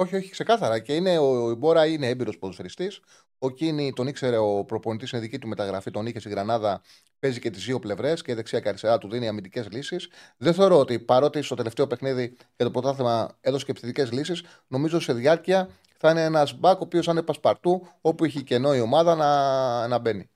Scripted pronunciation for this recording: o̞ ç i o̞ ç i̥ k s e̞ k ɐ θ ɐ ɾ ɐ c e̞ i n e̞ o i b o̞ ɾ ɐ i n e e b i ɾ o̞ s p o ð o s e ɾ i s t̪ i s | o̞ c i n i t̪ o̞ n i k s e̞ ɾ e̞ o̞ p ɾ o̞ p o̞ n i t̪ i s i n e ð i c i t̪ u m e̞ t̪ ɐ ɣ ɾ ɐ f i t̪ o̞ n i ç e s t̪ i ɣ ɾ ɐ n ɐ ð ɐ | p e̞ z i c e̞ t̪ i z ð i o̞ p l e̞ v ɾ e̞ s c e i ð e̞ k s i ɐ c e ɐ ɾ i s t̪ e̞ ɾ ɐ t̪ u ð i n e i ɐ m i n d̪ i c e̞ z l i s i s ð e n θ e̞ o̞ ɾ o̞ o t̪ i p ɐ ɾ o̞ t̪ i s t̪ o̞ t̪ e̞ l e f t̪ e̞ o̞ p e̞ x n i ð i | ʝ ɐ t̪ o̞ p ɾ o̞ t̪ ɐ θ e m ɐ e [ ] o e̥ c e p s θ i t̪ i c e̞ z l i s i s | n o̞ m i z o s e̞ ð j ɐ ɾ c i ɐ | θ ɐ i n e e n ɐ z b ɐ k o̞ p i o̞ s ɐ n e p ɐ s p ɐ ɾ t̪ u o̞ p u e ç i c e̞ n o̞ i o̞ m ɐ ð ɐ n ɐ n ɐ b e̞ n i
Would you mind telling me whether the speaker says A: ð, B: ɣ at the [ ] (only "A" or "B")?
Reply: A